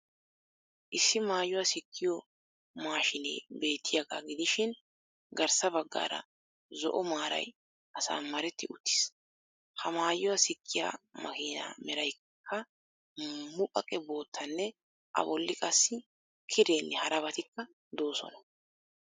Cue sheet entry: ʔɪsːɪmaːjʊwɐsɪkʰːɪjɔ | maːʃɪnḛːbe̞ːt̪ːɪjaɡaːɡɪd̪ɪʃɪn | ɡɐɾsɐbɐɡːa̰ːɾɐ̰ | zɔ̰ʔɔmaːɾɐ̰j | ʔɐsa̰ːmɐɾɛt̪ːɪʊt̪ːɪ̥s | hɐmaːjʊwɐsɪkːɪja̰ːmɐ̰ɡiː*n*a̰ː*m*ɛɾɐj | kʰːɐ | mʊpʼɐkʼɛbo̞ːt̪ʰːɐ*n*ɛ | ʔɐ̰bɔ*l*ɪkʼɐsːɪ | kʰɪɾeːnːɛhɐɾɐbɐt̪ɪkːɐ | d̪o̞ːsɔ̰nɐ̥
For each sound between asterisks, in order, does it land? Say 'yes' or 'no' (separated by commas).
yes, yes, no, no